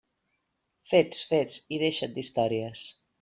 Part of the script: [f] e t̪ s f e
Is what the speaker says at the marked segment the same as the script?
yes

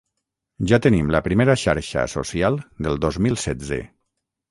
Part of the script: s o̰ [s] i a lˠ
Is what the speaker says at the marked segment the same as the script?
yes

